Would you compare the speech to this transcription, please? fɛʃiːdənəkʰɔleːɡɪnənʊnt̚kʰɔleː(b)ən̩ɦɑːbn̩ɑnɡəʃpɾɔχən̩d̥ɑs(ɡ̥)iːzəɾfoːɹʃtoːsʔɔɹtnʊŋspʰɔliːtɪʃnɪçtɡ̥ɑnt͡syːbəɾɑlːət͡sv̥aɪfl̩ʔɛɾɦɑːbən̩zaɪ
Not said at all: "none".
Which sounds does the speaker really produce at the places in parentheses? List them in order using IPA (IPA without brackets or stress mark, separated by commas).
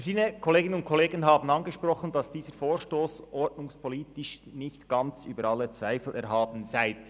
ɡ, d̥